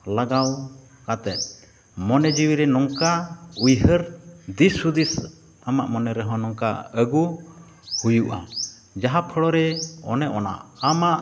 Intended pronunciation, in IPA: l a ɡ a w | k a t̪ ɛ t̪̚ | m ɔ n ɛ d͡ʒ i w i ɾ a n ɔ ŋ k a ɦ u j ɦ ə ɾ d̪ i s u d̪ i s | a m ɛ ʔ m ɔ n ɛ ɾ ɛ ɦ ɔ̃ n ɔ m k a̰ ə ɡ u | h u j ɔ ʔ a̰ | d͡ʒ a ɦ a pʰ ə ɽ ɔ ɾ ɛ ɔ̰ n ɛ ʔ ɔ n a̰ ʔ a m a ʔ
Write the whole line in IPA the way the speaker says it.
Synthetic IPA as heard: l a ɡ a w | k a t̪ ɛ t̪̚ | m ɔ n ɛ d͡ʒ i w i ɾ ɛ n ɔ ŋ k a u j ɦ ə ɾ d̪ i s u d̪ i s | a m a ʔ m ɔ n ɛ ɾ ɛ ɦ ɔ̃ n ɔ ŋ k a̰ ə ɡ u | h u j u ʔ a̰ | d͡ʒ a ɦ a pʰ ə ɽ ɔ ɾ ɛ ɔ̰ n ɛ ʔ ɔ n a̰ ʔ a m a ʔ